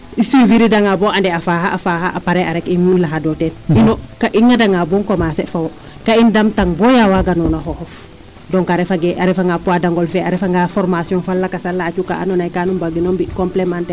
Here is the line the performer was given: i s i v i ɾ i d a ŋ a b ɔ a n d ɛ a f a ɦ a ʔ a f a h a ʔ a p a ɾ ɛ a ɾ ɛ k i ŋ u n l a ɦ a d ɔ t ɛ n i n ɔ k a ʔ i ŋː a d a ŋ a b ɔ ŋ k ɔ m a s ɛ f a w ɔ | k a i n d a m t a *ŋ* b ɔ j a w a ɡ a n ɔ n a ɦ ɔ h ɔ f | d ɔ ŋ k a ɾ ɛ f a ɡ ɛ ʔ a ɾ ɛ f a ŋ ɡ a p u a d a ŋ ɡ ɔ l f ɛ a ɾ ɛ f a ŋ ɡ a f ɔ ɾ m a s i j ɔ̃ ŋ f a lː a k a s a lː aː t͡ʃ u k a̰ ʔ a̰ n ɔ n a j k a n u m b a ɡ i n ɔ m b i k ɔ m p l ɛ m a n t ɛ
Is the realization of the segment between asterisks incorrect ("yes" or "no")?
no